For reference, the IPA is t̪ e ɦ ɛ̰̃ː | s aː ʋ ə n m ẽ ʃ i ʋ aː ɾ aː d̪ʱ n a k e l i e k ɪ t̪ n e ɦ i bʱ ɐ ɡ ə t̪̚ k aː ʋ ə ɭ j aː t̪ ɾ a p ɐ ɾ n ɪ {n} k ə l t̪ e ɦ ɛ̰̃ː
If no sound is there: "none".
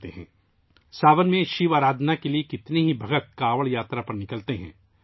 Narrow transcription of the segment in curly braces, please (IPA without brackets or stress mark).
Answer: none